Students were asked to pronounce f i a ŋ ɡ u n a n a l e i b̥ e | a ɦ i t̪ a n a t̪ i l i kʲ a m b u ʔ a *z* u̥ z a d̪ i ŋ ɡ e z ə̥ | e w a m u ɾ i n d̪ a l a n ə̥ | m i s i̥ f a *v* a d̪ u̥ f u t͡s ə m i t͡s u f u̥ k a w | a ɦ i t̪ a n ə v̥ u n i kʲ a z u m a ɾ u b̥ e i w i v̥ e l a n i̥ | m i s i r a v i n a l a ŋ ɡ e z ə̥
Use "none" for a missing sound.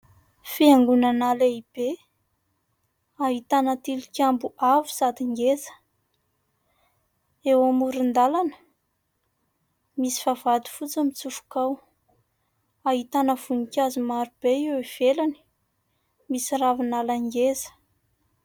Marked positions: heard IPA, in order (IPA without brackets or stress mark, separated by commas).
v, v